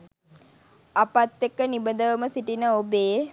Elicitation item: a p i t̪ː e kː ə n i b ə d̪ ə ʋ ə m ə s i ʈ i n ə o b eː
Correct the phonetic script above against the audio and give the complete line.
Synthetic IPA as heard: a p a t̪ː e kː ə n i b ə d̪ ə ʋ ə m ə s i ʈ i n ə o b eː

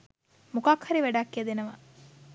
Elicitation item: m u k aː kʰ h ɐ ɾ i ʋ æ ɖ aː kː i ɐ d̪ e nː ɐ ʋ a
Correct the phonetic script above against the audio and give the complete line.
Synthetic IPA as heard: m u k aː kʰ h ɐ ɾ i ʋ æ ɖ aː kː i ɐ d̪ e n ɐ ʋ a

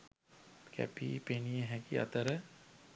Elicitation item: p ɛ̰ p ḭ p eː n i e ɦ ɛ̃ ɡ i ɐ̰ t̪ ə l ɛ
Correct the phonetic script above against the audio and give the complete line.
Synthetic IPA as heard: k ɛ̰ p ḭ p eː n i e ɦ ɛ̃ k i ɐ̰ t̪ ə ɾ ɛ

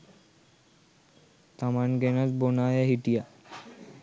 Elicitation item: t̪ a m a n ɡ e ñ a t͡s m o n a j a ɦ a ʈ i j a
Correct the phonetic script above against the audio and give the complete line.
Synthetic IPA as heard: t̪ a m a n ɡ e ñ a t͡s b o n a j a ɦ i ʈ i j a

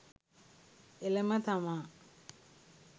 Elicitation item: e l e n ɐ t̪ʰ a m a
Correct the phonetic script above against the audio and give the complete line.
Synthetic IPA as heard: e l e m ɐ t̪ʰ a m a

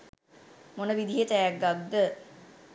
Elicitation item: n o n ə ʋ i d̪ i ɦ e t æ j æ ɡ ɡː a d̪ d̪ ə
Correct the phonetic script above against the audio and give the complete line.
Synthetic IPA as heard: m o n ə ʋ i d̪ i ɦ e t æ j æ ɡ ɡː a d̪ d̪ ə

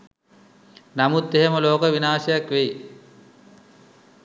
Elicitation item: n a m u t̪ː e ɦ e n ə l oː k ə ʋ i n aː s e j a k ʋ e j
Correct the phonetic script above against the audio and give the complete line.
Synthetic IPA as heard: n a m u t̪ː e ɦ e m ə l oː k ə ʋ i n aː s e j a k ʋ e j

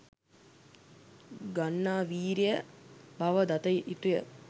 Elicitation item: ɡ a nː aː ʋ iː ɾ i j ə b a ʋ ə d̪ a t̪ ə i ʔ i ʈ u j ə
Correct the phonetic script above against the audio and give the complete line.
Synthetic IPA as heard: ɡ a nː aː ʋ iː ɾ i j ə b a ʋ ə d̪ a t̪ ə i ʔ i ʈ u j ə

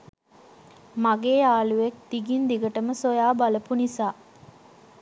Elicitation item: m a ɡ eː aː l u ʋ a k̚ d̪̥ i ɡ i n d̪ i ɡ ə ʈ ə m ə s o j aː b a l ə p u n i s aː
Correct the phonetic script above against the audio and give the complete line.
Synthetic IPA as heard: m a ɡ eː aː l u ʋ e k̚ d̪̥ i ɡ i n d̪ i ɡ ə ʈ ə m ə s o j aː b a l ə p u n i s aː

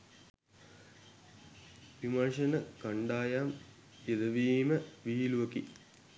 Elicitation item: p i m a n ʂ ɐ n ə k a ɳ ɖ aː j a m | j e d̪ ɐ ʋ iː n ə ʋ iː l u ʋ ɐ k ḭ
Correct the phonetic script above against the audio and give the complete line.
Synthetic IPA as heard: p i m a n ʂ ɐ n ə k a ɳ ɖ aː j a m | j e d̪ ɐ ʋ iː m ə ʋ iː l u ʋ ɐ k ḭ

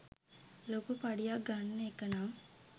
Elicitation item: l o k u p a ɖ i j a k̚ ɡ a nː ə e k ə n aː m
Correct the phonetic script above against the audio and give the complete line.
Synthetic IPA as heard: l o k u p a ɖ i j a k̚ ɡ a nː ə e k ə n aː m

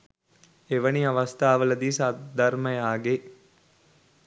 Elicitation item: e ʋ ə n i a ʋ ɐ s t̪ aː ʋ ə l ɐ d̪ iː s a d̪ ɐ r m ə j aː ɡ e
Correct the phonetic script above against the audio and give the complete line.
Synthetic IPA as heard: e ʋ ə n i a ʋ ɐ s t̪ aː ʋ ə l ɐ d̪ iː s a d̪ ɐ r m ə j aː ɡ e

